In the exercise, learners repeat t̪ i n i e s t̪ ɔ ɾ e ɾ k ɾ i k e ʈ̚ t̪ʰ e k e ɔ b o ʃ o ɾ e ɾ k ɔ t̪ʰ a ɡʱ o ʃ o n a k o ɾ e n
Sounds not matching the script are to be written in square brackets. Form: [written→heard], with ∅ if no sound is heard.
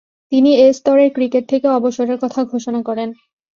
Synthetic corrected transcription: t̪ i n i e s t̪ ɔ ɾ e ɾ k ɾ i k e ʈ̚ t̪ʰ e k e ɔ b o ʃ o ɾ e ɾ k ɔ t̪ʰ a ɡʱ o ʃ o n a k [o→ɔ] ɾ e n